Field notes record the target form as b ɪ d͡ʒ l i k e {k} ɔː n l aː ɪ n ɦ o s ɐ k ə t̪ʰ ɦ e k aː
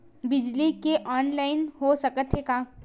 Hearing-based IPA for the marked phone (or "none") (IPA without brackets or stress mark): ʔ